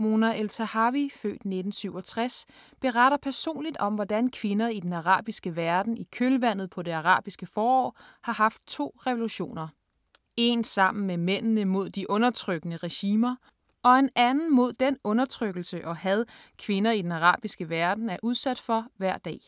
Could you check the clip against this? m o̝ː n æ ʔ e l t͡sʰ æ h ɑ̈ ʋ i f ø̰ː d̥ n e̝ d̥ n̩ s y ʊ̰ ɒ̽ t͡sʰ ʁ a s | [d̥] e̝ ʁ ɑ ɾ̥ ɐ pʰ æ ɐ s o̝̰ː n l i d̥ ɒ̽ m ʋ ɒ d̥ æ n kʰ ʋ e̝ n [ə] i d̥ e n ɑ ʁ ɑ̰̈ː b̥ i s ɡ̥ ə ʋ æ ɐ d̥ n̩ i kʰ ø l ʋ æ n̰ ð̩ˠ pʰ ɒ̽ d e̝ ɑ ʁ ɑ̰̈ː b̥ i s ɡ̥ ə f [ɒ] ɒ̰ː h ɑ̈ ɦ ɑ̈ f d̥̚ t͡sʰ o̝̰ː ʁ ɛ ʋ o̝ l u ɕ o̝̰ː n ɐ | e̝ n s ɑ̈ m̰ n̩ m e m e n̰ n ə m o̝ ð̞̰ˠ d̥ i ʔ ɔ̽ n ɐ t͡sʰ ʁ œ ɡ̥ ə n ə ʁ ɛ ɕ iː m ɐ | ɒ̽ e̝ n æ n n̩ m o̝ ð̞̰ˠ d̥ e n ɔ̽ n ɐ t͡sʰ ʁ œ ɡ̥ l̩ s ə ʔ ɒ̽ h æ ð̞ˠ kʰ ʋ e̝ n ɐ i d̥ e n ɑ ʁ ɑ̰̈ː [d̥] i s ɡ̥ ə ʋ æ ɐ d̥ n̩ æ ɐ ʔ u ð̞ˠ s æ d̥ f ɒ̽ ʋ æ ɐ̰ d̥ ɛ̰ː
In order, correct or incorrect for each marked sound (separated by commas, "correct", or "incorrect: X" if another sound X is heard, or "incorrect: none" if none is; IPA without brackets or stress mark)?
incorrect: b̥, incorrect: ɐ, incorrect: ɒː, incorrect: b̥